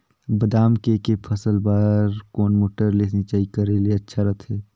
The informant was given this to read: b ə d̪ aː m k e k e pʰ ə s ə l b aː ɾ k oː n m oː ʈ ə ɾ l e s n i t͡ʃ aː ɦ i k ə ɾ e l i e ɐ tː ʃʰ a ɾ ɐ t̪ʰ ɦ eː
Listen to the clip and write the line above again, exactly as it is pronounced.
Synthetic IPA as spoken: b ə d̪ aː m k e k e pʰ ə s ə l b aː ɾ k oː n m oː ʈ ə ɾ l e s n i t͡ʃ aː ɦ i k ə ɾ e l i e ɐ tː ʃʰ a ɾ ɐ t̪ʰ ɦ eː